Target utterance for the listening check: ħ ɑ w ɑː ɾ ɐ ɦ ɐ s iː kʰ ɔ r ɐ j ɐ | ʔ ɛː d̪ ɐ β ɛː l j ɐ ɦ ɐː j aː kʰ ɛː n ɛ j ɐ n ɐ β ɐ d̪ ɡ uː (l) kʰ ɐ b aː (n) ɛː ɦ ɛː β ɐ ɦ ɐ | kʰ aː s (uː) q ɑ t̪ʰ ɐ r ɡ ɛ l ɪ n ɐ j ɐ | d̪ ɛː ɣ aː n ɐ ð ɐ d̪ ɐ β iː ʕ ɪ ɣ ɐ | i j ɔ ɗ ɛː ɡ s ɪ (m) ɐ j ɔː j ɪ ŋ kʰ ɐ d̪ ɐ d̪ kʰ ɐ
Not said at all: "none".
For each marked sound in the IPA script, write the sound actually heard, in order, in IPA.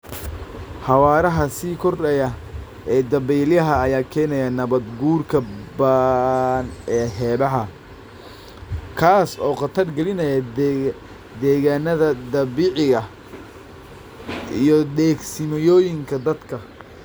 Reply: r, n, ɔː, m

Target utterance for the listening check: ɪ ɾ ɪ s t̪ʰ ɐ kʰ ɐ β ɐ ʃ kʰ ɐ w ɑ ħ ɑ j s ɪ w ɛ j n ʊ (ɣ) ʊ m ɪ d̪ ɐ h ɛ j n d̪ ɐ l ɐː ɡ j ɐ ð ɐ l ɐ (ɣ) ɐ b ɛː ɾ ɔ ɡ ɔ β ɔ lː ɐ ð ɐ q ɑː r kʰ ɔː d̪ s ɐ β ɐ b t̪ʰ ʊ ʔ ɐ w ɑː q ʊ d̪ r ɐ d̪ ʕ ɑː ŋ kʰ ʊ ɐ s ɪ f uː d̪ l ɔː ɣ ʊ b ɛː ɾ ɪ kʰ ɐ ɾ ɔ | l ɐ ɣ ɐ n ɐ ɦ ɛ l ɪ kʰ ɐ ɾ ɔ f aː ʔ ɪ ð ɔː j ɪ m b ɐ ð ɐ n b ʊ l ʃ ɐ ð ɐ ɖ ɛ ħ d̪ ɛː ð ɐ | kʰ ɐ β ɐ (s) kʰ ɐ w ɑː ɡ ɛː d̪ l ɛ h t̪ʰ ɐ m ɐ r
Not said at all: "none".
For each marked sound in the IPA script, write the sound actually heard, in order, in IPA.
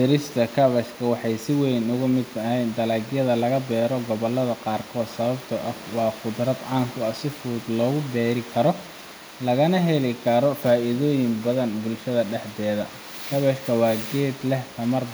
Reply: ɣ, ɣ, ʃ

